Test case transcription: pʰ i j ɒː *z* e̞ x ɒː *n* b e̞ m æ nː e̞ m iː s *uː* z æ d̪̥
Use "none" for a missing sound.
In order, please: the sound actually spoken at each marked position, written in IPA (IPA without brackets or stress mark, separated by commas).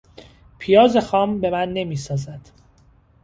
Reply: z, m, ɒː